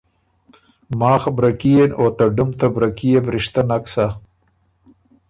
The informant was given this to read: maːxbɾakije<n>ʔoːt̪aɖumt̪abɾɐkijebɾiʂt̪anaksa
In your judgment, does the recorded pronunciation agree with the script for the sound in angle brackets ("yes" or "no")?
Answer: yes